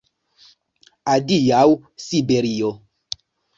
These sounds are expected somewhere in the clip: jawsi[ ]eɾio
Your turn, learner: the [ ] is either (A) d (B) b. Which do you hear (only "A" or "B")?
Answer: B